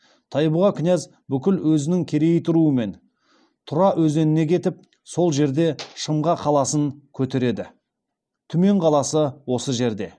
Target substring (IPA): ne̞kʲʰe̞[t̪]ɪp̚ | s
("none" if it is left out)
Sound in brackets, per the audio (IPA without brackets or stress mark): t̪